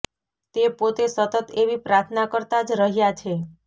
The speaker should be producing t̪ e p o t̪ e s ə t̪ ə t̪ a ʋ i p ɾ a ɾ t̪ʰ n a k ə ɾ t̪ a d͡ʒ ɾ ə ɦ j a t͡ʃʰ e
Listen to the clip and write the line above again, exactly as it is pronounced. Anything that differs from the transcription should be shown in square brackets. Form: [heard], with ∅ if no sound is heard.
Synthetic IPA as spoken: t̪ e p o t̪ e s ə t̪ ə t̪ [e] ʋ i p ɾ a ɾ t̪ʰ n a k ə ɾ t̪ a d͡ʒ ɾ ə ɦ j a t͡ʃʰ e